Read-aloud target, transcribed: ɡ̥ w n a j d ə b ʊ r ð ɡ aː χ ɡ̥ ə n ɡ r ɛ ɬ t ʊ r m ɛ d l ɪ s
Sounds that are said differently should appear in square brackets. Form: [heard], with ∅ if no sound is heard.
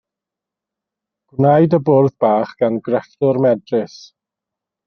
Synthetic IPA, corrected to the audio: ɡ̥ w n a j d ə b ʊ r ð [b] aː χ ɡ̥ [a] n ɡ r ɛ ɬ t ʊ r m ɛ d [r] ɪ s